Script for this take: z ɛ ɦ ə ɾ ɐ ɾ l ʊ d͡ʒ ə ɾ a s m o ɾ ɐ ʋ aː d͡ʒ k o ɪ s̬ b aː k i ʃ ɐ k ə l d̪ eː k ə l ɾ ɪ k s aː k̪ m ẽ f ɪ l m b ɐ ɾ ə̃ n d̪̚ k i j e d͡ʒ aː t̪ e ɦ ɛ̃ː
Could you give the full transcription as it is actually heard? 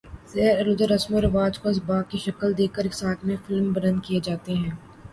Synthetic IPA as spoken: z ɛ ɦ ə ɾ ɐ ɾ l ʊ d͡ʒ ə ɾ ɐ s m o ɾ ɐ ʋ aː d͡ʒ k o ɪ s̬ b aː k i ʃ ɐ k ə l d̪ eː k ə ɾ ɪ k s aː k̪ m ẽ f ɪ l m b ɐ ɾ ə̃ n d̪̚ k i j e d͡ʒ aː t̪ e ɦ ɛ̃ː